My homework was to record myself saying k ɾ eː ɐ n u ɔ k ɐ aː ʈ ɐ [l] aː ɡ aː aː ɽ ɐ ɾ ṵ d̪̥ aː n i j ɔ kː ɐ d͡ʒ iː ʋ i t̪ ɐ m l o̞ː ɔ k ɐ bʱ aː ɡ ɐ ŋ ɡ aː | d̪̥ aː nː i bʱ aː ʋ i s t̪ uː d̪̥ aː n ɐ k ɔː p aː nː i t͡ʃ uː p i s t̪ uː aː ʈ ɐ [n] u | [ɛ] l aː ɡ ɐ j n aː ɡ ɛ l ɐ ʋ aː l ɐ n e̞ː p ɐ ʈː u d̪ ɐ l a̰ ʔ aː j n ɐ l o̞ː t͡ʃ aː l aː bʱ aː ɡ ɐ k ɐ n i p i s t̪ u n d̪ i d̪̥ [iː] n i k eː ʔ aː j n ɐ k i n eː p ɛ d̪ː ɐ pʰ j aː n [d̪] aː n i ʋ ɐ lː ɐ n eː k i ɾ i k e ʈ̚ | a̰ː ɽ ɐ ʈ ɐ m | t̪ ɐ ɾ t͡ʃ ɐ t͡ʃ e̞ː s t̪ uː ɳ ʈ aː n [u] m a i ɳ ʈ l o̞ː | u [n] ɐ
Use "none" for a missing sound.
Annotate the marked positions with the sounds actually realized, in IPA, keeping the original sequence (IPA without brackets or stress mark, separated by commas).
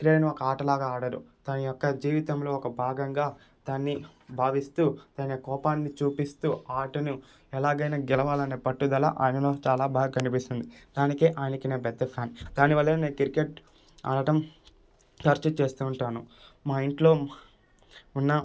l, n, ɛ, aː, d̪, u, nː